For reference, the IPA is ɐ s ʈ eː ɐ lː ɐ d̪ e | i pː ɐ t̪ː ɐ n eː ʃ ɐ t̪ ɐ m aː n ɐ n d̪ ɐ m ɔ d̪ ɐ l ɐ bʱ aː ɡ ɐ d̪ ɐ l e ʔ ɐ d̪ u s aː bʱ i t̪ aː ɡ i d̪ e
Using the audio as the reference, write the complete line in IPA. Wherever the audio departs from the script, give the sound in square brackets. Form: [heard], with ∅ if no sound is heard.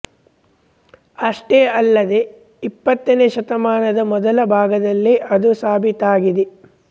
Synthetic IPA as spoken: ɐ [ʂ] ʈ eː ɐ lː ɐ d̪ e | i pː ɐ t̪ː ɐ n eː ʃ ɐ t̪ ɐ m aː n ɐ [∅] d̪ ɐ m ɔ d̪ ɐ l ɐ bʱ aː ɡ ɐ d̪ ɐ [lː] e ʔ ɐ d̪ u s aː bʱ i t̪ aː ɡ i d̪ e